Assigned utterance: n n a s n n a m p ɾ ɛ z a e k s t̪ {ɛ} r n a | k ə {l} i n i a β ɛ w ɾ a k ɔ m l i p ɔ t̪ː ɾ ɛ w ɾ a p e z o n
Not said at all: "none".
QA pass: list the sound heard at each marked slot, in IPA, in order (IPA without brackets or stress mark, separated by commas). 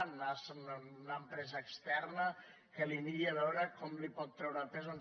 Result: ɛ, l